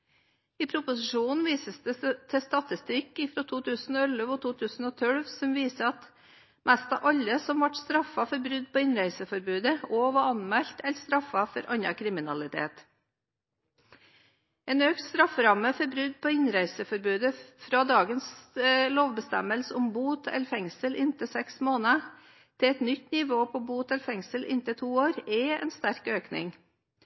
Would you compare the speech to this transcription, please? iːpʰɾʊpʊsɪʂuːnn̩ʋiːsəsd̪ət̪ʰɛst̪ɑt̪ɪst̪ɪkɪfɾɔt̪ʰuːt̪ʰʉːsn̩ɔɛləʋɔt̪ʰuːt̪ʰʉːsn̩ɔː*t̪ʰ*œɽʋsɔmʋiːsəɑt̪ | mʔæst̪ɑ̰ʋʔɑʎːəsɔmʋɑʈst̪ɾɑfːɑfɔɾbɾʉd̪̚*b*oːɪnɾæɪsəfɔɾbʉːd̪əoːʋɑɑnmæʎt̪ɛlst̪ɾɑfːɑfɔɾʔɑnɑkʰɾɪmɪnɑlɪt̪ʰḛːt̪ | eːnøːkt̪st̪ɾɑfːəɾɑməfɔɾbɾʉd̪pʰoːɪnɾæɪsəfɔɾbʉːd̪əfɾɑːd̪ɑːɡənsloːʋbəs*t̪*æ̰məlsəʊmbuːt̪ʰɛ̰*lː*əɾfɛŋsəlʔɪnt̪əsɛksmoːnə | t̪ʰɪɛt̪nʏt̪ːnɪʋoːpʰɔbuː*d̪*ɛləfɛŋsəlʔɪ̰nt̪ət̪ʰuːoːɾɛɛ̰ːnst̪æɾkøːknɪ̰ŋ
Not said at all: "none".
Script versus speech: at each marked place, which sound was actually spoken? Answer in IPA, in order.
t̪ʰ, p, t̪, l, t̪

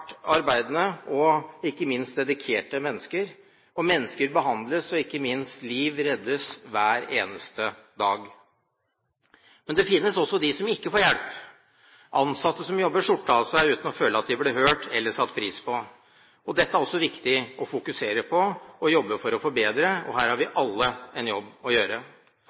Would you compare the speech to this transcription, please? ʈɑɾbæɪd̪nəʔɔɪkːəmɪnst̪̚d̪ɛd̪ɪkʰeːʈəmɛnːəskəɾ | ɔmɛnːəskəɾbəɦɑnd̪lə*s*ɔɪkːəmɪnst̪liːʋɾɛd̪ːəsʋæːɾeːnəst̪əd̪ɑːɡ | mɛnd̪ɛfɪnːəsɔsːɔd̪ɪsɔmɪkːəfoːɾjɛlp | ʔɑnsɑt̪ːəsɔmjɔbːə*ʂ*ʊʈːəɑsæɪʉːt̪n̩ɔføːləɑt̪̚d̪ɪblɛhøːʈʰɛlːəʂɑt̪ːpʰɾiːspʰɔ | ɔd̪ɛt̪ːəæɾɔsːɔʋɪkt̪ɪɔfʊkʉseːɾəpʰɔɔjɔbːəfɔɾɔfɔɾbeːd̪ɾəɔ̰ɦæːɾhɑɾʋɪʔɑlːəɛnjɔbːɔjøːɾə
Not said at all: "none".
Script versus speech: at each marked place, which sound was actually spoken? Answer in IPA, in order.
s, ʂ

